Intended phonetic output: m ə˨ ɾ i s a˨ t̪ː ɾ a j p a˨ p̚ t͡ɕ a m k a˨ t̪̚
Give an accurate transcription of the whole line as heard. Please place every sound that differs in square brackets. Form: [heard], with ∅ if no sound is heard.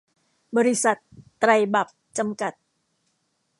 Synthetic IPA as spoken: [b] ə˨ ɾ i s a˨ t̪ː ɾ a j [b] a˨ p̚ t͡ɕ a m k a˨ t̪̚